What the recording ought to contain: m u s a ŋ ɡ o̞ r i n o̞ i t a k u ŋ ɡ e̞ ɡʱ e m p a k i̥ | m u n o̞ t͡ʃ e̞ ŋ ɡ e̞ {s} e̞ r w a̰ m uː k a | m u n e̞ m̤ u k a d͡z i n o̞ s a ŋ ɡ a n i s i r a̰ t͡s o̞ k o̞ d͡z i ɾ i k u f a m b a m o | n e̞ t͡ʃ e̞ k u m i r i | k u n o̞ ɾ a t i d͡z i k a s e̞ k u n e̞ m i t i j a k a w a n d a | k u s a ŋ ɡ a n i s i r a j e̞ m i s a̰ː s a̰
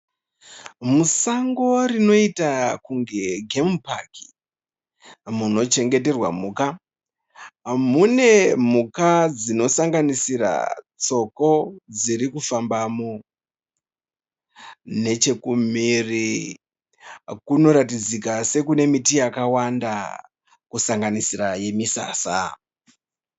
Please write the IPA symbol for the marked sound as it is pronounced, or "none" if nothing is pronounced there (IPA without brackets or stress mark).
t